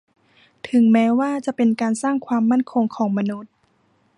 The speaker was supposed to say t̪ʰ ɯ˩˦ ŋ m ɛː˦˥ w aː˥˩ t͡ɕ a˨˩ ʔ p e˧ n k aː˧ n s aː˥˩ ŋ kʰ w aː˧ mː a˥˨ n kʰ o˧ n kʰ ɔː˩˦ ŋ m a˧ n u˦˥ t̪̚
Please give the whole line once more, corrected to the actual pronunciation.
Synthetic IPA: t̪ʰ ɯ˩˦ ŋ m ɛː˦˥ w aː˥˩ t͡ɕ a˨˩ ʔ p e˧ n k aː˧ n s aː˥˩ ŋ kʰ w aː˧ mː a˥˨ n kʰ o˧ ŋ kʰ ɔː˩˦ ŋ m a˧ n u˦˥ t̪̚